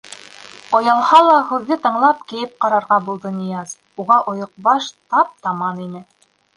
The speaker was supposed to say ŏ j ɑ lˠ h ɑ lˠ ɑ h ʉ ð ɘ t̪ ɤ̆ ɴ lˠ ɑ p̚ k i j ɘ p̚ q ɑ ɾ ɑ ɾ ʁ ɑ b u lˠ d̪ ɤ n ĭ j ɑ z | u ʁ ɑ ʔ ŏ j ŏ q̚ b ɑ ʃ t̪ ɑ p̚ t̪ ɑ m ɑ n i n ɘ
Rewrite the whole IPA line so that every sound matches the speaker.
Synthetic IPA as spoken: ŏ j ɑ lˠ h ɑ lˠ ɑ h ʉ ðː ɘ t̪ ɤ̆ ɴ lˠ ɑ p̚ k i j ɘ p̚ q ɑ ɾ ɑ ɾ ʁ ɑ b u lˠ d̪ ɤ n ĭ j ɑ z | u ʁ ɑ ʔ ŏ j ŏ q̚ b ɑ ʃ t̪ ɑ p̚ t̪ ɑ m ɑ n i n ɘ